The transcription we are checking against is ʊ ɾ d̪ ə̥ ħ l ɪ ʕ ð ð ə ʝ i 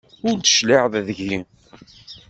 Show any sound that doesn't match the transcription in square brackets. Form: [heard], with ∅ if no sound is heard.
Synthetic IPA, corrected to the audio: ʊ ɾ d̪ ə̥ [ʃ] l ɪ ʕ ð ð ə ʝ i